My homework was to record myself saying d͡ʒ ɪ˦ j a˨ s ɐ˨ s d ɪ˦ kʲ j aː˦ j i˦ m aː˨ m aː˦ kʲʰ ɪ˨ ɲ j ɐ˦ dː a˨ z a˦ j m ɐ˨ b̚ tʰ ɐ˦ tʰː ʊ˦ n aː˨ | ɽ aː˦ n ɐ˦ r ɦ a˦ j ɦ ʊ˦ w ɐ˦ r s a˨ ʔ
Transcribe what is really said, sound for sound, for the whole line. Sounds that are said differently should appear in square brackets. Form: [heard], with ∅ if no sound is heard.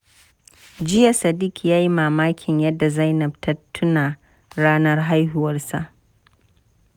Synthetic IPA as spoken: d͡ʒ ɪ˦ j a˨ s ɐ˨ [∅] d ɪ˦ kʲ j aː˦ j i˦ m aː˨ m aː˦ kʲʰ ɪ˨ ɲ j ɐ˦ dː a˨ z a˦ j [n] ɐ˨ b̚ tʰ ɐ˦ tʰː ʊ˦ n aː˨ | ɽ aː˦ n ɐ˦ r ɦ a˦ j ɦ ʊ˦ w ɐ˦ r s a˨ ʔ